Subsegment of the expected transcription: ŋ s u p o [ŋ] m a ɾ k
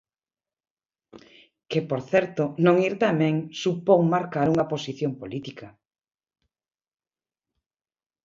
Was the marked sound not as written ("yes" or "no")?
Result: no